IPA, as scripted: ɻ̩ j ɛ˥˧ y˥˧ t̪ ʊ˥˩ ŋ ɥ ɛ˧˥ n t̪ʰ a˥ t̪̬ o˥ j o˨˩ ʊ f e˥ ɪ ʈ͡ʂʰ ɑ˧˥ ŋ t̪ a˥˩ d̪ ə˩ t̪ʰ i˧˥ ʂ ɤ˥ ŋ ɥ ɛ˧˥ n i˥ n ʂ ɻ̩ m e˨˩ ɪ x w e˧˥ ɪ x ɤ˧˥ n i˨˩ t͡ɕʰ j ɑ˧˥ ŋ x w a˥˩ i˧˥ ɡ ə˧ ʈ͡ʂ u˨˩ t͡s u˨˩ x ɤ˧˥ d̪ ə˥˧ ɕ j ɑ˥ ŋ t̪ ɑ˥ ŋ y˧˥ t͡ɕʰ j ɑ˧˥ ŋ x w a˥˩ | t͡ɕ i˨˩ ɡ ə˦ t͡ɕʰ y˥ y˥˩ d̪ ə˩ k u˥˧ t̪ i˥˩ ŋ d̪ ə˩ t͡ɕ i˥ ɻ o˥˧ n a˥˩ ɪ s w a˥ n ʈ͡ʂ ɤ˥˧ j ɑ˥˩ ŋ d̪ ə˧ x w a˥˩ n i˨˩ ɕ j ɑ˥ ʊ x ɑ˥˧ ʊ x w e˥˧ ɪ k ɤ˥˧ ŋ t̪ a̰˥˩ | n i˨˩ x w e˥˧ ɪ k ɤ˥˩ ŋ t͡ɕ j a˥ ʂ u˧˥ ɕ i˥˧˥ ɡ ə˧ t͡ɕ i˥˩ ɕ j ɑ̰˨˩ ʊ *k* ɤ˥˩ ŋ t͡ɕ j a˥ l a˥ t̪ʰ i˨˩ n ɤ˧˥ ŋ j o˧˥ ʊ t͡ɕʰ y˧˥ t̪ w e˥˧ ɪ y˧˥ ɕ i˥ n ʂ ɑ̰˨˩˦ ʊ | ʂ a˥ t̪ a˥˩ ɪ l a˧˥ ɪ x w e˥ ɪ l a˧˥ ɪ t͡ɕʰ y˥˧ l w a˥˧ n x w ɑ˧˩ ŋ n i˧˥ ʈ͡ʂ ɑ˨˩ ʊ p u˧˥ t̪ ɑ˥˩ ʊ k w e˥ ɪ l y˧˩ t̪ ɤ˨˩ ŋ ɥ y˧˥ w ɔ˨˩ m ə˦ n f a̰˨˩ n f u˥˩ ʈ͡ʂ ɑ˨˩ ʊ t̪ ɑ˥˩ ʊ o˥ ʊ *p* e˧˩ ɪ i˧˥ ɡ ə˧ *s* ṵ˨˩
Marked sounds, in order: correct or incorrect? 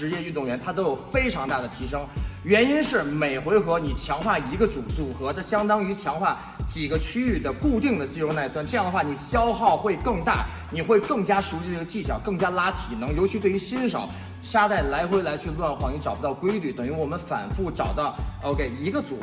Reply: correct, incorrect: k, incorrect: t͡s

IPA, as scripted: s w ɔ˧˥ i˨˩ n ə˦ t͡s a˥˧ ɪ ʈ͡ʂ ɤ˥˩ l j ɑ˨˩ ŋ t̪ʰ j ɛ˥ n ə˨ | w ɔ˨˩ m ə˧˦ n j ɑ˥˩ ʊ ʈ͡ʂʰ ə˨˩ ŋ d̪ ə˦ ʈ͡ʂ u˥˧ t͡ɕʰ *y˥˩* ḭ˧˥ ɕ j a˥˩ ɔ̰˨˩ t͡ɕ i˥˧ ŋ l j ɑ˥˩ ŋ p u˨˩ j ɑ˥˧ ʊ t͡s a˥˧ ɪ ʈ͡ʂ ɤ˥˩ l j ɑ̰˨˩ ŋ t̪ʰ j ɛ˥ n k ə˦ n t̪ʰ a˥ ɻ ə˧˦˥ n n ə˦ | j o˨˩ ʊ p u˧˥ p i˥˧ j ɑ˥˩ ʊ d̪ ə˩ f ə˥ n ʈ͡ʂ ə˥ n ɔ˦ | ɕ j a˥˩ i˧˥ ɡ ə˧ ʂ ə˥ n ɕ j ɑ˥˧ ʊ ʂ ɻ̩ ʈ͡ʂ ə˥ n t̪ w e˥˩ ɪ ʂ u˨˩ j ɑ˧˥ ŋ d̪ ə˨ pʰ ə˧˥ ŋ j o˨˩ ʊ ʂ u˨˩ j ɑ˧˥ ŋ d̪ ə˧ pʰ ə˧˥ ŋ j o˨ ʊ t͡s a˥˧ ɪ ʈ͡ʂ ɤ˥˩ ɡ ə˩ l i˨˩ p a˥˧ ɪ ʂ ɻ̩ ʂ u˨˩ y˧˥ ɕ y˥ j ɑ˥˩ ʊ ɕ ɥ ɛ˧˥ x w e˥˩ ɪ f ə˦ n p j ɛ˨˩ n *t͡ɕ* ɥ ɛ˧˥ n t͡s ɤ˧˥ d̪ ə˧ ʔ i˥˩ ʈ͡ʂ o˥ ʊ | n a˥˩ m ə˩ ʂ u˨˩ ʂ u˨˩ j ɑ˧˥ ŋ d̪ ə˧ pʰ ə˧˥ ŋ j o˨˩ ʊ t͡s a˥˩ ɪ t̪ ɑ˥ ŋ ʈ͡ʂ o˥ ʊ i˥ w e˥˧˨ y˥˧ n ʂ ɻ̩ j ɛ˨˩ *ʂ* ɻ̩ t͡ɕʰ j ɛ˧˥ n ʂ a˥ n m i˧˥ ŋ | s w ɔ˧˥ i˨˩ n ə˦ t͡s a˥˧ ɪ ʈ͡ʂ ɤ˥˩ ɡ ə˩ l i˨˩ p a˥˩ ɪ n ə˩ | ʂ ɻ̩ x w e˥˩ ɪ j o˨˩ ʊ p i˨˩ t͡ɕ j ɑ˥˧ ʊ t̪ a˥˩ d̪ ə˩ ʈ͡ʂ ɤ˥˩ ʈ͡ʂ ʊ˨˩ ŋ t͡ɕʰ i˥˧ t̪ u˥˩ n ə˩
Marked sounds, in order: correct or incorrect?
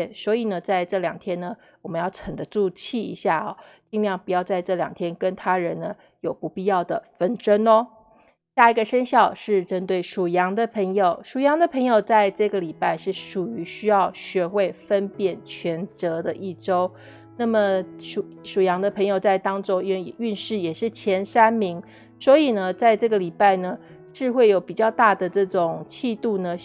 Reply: incorrect: i˥˩, incorrect: t͡ɕʰ, correct

